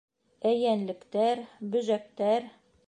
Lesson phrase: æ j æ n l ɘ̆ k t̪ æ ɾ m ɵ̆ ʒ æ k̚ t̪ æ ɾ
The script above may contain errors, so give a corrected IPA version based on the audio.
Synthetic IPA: æ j æ n l ɘ̆ k t̪ æ ɾ b ɵ̆ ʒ æ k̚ t̪ æ ɾ